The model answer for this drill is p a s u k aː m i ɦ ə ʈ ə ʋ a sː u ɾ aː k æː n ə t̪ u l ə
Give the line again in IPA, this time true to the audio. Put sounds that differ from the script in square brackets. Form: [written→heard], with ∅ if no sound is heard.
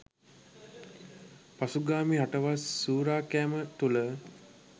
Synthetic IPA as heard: p a s u [k→ɡ] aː m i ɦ [ə→a] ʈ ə ʋ a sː [u→uː] ɾ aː k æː [n→m] ə t̪ u l ə